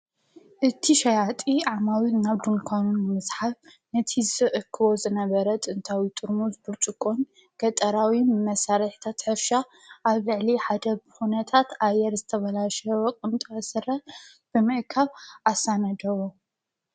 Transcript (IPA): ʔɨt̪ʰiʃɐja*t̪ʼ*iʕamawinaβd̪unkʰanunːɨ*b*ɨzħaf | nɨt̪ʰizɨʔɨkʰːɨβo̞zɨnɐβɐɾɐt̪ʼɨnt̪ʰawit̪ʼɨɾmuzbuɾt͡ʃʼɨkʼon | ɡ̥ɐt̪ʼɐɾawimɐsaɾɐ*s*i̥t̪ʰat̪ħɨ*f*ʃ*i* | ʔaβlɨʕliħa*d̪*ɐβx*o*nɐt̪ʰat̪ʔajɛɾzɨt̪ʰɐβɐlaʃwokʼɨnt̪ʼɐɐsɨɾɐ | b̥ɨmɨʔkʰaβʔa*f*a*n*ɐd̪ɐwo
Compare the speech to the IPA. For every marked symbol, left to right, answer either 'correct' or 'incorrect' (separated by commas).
correct, incorrect, incorrect, correct, incorrect, correct, incorrect, incorrect, correct